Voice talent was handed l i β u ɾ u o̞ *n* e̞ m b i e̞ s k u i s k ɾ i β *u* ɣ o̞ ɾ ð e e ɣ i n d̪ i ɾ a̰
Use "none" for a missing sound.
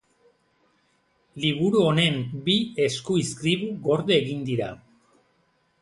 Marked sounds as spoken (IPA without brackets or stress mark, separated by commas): n, u